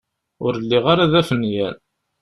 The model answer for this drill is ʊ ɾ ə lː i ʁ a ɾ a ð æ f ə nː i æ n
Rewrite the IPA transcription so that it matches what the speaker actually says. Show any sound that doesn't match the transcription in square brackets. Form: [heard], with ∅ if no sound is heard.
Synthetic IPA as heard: ʊ ɾ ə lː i ʁ a ɾ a ð æ f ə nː [j] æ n